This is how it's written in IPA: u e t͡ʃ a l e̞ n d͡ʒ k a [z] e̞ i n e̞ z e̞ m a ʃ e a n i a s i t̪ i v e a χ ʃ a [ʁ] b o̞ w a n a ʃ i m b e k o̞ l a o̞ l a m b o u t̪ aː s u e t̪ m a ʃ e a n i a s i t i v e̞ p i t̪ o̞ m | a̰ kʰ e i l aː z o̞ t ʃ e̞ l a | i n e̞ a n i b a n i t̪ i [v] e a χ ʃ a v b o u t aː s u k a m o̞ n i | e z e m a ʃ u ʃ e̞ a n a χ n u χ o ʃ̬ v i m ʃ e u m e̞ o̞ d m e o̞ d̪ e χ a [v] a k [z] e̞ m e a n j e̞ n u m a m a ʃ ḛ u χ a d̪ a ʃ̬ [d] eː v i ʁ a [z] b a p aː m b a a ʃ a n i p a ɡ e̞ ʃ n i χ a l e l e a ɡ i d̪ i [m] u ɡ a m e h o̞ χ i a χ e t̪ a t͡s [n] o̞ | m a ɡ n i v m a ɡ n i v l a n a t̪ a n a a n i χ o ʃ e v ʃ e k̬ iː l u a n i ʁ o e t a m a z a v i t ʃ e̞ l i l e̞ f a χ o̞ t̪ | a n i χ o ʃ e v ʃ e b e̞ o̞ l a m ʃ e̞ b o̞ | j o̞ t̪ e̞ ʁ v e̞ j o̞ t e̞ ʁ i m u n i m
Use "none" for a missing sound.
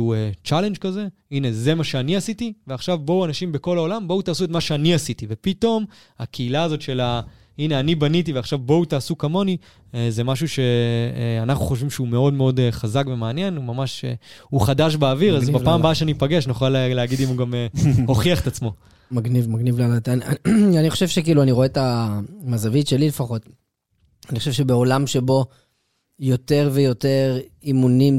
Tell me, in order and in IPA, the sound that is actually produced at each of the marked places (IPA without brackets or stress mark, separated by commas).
z, v, v, z, v, b, z, m, m